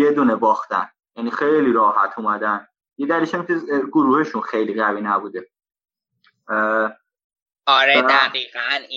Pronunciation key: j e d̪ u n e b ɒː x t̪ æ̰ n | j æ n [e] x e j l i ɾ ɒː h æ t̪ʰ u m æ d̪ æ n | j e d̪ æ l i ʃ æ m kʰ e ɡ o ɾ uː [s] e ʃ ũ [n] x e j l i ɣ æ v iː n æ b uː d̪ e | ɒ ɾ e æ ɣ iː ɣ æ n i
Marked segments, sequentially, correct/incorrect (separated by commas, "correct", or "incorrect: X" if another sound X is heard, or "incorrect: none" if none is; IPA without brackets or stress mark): incorrect: i, incorrect: h, correct